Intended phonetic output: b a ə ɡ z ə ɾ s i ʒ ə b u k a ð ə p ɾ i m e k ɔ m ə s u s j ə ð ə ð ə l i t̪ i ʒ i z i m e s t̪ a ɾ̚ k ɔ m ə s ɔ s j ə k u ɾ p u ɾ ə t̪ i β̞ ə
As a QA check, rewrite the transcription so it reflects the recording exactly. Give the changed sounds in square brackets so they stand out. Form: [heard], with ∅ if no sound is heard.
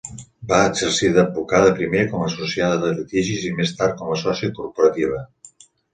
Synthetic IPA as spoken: b a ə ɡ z ə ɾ s i [ð] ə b u k a ð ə p ɾ i m e k ɔ m ə s u s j [a] ð ə ð ə l i t̪ i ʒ i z i m e s t̪ a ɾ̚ k ɔ m ə s ɔ s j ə k u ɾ p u ɾ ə t̪ i β̞ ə